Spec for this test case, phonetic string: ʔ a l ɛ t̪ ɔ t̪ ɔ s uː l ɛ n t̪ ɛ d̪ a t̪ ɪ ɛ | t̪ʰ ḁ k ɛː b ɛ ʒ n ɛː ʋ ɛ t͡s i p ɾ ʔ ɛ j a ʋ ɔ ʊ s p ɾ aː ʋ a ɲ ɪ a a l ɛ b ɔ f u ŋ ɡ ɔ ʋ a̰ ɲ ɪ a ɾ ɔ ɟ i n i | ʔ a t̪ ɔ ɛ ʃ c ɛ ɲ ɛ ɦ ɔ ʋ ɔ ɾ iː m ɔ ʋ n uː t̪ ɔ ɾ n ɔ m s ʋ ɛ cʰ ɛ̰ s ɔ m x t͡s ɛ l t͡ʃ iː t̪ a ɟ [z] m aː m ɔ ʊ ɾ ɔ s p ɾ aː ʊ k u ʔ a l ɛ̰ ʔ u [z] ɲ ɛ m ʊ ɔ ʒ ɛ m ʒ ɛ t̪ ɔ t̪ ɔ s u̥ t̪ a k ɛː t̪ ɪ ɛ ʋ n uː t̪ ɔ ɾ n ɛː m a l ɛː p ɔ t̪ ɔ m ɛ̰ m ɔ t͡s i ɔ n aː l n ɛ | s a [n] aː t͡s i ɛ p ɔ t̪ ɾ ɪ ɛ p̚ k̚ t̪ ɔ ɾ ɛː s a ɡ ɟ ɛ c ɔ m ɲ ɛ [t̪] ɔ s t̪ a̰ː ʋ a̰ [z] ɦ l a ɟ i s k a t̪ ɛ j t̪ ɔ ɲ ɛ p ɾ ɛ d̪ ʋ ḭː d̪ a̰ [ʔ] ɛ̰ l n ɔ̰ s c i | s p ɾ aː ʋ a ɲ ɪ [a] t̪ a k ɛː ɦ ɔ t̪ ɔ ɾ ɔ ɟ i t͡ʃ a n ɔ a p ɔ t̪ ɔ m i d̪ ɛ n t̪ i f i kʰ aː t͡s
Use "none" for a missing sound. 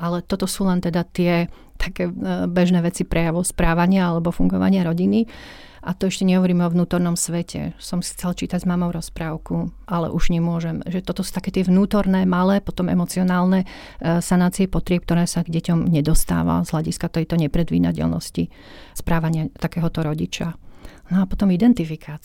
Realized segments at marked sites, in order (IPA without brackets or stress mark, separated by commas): z, ʒ, n, d̪, z, c, a